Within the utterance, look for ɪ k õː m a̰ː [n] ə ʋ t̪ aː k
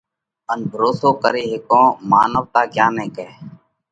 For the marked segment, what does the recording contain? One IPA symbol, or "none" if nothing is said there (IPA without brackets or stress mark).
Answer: n